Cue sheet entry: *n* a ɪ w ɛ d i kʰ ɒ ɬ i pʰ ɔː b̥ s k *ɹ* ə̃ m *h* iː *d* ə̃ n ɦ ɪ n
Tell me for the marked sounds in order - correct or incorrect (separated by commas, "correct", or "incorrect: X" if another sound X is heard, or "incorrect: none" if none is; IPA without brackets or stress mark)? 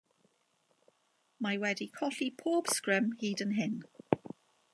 incorrect: m, correct, correct, correct